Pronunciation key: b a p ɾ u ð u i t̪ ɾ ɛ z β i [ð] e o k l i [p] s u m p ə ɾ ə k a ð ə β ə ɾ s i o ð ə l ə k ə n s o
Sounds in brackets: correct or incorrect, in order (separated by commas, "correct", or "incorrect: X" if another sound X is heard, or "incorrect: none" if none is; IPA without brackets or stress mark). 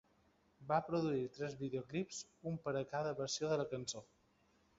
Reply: correct, correct